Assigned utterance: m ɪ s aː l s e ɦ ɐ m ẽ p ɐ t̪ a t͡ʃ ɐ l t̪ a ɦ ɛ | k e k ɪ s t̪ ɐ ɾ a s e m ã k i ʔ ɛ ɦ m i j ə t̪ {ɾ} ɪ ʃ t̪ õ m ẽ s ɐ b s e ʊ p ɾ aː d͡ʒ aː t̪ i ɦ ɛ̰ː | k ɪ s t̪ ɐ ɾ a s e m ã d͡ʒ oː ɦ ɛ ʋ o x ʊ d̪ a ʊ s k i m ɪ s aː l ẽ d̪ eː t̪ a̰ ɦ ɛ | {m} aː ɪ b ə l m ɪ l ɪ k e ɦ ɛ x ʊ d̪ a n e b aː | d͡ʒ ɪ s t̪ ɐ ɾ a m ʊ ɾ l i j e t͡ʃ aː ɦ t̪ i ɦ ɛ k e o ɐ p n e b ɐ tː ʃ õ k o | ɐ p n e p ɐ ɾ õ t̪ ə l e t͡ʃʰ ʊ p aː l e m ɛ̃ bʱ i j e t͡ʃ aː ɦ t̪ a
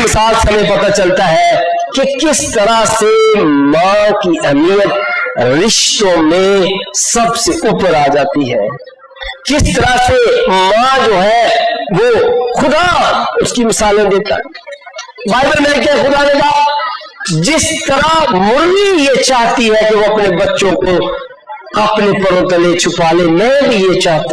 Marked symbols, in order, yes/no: yes, no

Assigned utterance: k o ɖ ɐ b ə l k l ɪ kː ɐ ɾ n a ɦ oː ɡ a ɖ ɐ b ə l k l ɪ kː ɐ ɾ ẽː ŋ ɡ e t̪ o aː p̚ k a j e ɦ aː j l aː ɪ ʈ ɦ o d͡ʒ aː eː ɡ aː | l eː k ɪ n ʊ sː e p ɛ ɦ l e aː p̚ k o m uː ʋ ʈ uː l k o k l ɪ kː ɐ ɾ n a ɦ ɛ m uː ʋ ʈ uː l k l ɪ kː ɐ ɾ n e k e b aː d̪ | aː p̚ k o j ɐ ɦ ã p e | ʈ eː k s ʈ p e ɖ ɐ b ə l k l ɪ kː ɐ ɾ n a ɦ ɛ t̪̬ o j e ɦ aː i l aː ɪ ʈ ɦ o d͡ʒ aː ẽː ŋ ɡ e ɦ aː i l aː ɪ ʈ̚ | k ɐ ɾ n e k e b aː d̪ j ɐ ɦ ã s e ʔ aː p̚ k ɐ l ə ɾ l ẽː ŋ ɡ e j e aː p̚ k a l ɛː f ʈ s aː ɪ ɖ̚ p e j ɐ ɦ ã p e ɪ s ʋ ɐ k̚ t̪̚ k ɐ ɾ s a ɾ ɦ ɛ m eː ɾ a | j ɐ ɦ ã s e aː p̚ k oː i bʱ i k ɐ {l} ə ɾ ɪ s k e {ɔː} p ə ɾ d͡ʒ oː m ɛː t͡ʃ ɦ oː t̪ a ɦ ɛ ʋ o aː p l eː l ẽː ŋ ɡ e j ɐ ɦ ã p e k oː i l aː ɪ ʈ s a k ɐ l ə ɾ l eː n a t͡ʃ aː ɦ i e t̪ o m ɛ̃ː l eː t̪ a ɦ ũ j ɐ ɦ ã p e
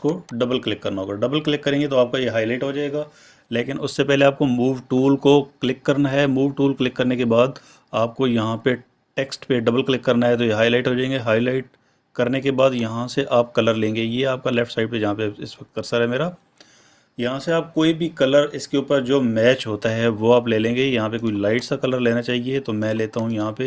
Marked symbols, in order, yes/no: yes, no

